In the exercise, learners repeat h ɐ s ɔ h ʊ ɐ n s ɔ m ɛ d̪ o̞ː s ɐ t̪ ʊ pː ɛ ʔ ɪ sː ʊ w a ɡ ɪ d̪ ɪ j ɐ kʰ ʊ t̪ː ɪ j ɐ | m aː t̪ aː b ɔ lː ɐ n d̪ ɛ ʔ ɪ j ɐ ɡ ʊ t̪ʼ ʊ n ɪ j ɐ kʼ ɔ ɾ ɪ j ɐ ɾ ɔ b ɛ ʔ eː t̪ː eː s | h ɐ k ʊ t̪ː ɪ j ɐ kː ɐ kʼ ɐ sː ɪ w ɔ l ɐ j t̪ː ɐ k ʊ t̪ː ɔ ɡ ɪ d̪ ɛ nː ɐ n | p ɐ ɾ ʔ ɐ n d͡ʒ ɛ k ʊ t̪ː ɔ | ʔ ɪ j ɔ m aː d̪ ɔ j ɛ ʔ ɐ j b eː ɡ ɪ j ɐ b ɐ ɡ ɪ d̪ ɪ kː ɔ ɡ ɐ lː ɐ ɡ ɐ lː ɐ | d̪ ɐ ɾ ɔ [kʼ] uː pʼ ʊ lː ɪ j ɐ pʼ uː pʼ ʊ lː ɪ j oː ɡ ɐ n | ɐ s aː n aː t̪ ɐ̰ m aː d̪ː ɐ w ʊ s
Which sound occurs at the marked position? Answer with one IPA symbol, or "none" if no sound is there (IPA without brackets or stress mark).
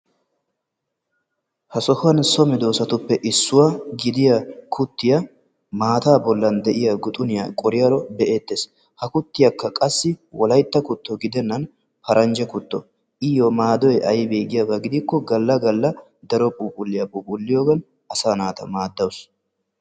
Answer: pʼ